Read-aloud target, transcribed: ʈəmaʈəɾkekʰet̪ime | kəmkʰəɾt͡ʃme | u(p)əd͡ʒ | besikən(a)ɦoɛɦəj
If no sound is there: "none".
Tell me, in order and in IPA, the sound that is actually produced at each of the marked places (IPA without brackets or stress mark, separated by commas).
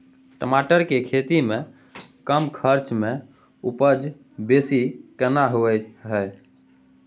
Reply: p, a